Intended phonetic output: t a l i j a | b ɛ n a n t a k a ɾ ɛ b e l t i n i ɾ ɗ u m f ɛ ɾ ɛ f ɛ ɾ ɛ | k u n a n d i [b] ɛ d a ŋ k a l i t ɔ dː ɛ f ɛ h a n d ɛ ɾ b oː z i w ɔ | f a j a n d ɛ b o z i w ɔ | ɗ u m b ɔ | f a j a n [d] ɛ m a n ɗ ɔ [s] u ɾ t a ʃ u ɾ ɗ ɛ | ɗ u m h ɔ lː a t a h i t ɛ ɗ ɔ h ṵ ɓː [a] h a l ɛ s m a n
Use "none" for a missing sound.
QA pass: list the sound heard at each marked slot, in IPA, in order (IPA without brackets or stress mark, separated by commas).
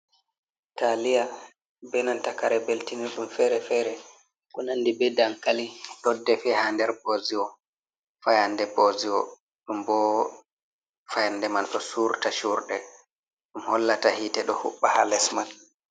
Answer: b, d, s, a